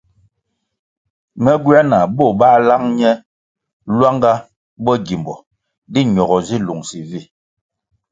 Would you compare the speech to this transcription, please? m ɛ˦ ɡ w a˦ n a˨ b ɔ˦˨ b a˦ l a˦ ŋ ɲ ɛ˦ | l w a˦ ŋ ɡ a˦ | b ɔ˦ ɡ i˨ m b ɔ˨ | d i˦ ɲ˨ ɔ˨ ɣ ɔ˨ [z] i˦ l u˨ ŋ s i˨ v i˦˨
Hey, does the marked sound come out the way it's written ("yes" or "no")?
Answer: yes